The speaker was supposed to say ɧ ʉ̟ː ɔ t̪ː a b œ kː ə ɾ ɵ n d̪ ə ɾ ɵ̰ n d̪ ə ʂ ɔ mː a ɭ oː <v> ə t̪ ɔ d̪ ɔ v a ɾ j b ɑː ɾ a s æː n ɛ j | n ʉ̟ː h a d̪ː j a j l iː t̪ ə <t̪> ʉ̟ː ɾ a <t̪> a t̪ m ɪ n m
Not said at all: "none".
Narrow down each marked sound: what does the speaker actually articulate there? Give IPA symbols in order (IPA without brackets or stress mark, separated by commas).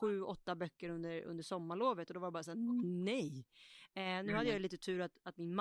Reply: v, t̪ʰ, t̪